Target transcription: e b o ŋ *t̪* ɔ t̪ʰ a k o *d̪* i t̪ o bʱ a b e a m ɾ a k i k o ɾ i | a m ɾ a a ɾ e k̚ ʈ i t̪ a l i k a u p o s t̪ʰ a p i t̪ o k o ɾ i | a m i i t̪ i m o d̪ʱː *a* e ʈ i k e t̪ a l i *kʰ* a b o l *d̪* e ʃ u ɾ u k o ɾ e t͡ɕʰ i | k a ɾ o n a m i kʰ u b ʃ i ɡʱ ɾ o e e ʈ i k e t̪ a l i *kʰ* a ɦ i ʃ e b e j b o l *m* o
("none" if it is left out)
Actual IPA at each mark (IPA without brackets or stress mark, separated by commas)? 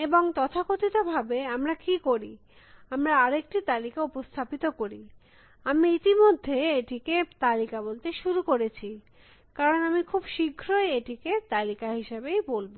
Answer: t̪, t̪, e, k, t̪, k, b